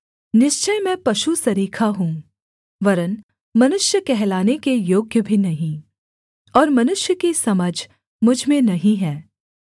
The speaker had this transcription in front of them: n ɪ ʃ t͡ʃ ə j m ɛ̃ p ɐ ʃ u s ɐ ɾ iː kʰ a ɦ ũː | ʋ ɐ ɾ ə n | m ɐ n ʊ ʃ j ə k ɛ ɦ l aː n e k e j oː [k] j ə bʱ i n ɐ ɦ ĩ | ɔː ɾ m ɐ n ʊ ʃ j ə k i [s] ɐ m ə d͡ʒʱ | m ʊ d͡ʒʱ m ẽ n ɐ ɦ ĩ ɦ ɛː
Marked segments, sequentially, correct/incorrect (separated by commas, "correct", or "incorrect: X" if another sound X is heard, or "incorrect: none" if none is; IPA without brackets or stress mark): incorrect: ɡ, correct